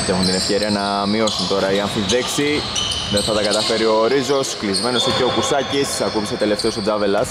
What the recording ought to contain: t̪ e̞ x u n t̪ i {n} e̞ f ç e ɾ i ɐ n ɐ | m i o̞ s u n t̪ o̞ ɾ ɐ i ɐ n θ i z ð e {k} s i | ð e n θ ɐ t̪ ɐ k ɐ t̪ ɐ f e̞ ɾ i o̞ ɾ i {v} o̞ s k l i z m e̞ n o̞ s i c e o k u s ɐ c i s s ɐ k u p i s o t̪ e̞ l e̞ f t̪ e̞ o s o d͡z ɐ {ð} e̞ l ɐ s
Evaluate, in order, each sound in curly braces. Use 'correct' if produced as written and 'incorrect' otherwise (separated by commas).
correct, correct, incorrect, incorrect